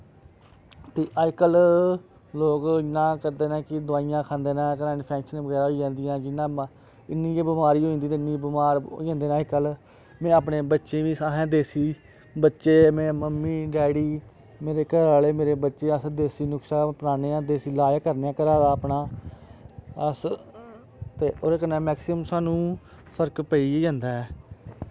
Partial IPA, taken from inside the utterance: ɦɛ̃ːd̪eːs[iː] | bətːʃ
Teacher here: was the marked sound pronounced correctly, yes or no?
yes